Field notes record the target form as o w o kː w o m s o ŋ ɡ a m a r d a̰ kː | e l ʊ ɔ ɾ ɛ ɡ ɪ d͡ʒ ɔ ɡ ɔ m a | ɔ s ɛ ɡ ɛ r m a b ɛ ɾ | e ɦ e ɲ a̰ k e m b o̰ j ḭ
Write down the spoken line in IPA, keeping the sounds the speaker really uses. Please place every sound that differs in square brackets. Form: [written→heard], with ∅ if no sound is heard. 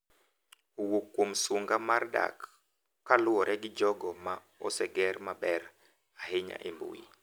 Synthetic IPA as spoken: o w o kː w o m s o ŋ ɡ a m a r d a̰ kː | [e→a] l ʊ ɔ ɾ ɛ ɡ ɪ d͡ʒ ɔ ɡ ɔ m a | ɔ s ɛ ɡ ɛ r m a b ɛ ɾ | [e→a] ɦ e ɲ a̰ [k→ʔ] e m b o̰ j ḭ